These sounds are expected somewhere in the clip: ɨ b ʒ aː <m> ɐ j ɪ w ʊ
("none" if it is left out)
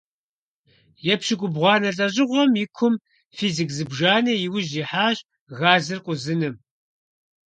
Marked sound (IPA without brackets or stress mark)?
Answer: n